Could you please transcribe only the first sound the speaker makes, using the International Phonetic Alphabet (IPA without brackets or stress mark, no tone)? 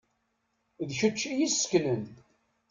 ð